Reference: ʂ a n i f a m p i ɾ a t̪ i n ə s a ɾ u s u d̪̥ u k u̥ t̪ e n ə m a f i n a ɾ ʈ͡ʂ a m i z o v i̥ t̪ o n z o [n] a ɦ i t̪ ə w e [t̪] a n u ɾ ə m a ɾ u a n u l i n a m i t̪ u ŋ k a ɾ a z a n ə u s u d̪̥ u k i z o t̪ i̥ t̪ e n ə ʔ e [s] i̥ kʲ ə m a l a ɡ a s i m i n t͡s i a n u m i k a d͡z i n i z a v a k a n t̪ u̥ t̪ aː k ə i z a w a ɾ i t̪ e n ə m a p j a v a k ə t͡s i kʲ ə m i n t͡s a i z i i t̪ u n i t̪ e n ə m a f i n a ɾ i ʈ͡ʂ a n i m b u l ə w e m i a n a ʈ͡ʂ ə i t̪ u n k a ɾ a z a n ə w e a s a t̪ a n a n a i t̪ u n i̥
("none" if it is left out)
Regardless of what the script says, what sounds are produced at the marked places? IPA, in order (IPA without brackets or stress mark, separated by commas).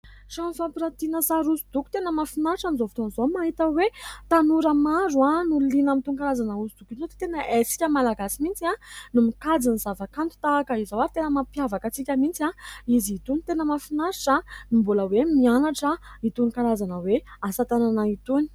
m, t̪, s